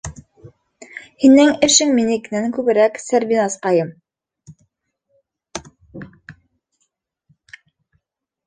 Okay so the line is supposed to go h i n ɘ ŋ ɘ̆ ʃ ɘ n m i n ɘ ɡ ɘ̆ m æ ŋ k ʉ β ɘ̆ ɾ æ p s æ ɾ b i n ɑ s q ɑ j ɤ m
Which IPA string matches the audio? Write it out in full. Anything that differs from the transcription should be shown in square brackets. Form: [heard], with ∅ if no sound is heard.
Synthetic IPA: h i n ɘ ŋ ɘ̆ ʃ ɘ [ŋ] m i n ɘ [k] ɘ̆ [n] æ ŋ k ʉ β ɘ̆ ɾ æ [k] s æ ɾ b i n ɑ s q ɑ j ɤ m